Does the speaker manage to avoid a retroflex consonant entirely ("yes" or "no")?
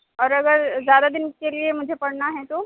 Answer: no